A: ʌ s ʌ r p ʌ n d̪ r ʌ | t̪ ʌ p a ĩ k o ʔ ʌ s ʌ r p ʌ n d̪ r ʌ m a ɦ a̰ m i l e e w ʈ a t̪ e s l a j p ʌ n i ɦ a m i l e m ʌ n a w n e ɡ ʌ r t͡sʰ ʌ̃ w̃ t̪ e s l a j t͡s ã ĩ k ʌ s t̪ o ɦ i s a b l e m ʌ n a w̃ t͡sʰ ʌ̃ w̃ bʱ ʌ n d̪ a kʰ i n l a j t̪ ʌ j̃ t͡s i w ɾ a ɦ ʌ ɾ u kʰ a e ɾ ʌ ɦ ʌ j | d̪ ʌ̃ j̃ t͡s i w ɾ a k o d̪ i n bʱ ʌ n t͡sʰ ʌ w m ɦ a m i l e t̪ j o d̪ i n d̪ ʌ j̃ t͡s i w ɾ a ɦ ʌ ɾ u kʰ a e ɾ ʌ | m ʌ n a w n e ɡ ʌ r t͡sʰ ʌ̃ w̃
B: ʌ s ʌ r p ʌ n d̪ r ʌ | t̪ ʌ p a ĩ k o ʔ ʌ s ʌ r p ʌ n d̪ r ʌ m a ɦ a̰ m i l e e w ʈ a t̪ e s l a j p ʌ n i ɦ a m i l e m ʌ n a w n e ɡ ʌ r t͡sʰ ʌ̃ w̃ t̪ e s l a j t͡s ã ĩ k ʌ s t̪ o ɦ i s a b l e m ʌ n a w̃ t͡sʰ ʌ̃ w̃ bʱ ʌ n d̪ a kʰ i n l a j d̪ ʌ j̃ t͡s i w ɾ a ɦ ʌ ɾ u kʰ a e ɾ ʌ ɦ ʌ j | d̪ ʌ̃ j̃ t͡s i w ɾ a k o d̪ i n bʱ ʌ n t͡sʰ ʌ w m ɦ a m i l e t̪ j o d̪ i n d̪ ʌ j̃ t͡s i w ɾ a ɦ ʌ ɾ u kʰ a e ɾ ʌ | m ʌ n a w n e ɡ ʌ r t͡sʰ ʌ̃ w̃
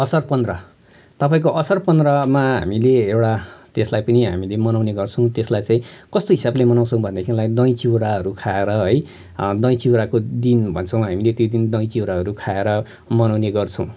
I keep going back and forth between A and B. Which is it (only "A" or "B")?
B